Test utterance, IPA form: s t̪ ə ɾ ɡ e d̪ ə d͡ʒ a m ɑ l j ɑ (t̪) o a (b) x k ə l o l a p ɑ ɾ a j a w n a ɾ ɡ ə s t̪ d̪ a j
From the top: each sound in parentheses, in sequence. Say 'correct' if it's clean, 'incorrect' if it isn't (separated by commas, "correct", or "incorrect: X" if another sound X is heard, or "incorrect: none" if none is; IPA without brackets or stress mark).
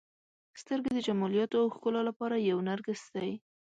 correct, incorrect: w